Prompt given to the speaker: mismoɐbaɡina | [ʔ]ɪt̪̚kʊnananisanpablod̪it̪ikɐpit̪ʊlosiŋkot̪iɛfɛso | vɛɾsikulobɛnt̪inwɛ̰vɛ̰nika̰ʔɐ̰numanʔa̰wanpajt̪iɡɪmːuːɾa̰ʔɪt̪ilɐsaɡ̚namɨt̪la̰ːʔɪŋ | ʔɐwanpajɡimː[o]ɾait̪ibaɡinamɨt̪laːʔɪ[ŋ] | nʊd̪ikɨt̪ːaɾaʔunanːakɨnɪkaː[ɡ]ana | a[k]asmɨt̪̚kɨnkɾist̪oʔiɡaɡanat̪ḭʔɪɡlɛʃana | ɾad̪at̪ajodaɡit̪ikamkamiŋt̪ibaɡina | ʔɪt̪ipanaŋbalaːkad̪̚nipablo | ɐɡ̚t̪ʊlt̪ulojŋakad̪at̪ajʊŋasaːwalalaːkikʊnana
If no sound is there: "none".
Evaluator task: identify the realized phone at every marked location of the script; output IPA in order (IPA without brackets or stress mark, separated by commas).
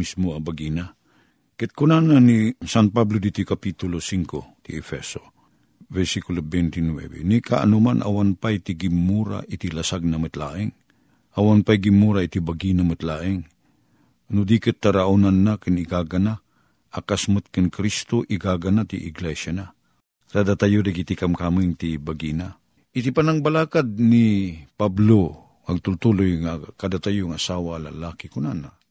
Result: k, u, ŋ, ɡ, k